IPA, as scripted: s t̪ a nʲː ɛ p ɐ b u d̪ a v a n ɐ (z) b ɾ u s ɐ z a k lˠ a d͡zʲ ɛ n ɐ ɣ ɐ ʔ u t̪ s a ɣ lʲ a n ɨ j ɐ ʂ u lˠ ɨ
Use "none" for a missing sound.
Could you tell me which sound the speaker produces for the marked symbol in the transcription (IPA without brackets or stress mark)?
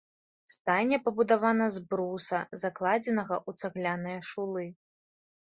z